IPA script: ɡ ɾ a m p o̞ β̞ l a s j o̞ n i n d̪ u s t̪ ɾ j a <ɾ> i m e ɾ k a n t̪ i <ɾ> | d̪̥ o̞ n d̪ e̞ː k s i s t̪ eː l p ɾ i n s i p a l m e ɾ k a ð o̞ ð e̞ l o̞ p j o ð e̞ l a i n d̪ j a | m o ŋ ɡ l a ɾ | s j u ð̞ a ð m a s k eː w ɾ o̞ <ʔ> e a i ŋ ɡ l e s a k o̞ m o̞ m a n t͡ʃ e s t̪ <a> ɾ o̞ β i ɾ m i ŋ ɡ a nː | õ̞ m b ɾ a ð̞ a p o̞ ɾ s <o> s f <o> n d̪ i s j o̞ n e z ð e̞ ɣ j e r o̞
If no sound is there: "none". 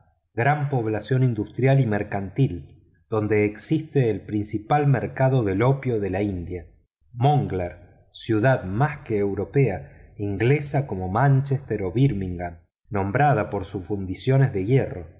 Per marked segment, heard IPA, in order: l, l, p, e, u, u

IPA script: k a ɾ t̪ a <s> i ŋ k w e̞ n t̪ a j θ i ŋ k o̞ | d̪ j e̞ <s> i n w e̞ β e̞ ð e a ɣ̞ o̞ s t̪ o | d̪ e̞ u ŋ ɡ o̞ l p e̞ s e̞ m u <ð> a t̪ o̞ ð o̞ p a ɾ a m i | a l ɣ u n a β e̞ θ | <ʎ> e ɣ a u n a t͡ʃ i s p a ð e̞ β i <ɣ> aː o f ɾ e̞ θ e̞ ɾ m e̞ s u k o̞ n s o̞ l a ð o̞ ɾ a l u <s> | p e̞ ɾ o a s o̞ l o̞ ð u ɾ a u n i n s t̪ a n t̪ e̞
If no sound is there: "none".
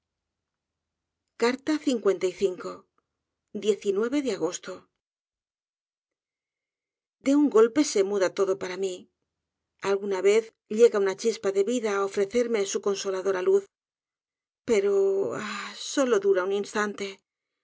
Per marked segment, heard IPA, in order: θ, θ, ð, ʎ, ð, θ

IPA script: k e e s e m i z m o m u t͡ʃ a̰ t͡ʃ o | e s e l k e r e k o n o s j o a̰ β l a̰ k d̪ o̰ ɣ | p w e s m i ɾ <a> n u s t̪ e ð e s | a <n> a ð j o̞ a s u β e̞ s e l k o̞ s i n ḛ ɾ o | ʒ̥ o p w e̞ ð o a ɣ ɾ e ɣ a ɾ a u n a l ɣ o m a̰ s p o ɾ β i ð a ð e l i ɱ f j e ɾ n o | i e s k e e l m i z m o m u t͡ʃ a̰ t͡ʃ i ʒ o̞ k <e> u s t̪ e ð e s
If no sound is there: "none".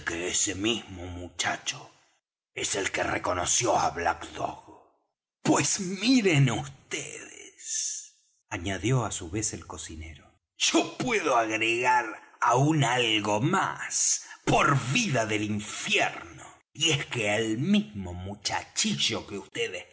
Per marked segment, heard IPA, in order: e, ɲ, e

